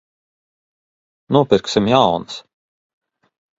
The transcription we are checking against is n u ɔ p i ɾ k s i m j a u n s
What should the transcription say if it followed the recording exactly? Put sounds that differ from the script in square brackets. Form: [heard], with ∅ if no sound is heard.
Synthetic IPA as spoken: n u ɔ p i ɾ k s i m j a [w] n s